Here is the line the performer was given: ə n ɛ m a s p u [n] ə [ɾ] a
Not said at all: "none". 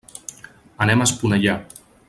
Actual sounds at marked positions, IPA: n, ʎ

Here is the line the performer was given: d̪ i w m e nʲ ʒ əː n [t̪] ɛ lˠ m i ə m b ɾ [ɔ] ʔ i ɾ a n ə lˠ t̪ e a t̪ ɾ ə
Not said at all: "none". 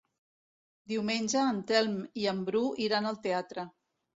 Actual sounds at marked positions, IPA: t̪, u

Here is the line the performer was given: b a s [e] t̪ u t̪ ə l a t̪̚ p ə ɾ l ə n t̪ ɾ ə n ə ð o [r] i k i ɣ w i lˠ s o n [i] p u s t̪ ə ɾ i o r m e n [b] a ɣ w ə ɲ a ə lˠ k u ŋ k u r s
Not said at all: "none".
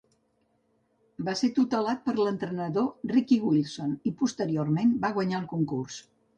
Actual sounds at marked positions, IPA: e, r, i, b

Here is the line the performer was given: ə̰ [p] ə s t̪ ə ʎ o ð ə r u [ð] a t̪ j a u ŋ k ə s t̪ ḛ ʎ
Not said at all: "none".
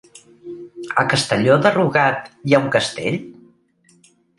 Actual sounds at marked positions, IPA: k, ɣ

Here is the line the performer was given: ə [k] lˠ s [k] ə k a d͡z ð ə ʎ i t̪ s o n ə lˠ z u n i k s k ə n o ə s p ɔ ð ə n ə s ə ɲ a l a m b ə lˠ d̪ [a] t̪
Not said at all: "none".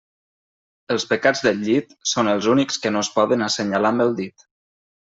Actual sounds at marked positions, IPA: none, p, i

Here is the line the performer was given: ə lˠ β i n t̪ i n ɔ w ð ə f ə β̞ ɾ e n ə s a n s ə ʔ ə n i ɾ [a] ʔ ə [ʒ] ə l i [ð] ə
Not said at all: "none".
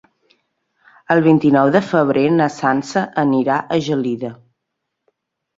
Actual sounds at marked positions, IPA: a, ʒ, ð

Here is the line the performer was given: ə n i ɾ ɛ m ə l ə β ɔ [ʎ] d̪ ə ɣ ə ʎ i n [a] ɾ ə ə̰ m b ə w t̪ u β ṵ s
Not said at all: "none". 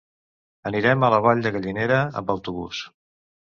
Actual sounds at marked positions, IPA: ʎ, e

